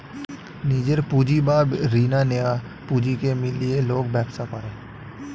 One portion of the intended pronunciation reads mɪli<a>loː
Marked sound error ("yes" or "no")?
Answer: yes